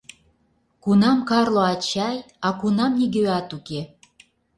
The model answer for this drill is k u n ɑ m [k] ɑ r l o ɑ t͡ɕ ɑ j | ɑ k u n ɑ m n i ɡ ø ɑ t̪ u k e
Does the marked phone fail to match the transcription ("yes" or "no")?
no